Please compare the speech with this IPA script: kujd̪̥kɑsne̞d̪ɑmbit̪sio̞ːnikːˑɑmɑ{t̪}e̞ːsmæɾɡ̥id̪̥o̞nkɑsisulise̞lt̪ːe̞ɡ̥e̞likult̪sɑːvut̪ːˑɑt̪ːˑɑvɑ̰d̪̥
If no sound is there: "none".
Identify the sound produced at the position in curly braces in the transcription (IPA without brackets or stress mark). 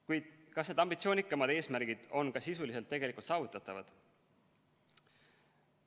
d̪